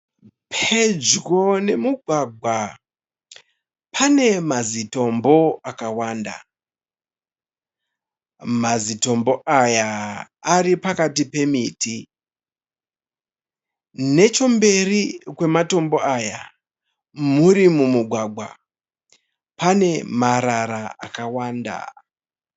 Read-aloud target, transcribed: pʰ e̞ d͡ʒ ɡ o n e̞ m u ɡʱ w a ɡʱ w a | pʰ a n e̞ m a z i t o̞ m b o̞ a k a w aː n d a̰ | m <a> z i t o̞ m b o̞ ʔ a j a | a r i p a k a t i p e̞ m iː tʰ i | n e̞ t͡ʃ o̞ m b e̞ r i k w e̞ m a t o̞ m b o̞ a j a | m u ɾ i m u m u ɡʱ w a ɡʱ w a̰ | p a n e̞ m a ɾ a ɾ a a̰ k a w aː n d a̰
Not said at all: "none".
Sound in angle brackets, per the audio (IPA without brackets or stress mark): a